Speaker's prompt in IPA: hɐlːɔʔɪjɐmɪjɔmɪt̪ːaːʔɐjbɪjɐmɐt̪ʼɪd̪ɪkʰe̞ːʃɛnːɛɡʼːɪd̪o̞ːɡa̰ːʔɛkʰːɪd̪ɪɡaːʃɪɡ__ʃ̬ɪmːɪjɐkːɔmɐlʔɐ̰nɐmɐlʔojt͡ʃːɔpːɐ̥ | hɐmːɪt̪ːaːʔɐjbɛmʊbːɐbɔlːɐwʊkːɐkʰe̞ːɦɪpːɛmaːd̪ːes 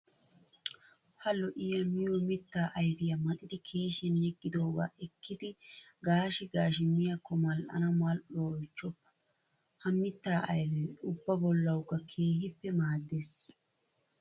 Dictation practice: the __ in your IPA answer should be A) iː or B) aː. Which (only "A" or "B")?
B